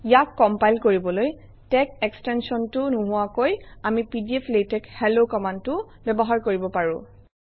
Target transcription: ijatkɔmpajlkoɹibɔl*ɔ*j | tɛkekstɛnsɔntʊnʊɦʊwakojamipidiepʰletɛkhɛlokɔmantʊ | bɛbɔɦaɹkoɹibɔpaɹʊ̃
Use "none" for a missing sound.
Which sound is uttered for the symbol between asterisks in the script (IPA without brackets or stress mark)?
o